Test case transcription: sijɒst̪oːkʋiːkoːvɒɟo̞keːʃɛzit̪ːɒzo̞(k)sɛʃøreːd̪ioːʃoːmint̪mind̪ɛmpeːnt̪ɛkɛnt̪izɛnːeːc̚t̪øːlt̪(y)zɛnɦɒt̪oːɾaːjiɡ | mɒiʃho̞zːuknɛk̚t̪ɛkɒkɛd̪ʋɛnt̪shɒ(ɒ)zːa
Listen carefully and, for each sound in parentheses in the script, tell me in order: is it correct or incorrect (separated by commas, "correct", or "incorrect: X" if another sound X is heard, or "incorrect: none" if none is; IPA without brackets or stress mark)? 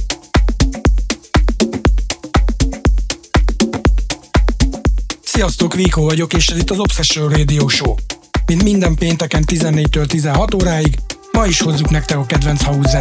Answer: incorrect: p, incorrect: i, incorrect: u